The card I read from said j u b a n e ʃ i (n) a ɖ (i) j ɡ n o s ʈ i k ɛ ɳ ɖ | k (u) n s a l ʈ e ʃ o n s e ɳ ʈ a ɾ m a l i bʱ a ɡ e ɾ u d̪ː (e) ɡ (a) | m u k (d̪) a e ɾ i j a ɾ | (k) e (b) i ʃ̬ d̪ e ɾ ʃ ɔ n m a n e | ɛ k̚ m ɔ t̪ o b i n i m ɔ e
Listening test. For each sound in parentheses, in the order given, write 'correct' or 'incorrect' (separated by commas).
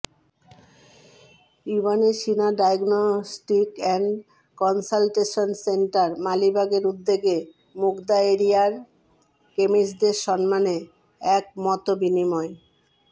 correct, incorrect, incorrect, correct, incorrect, correct, correct, incorrect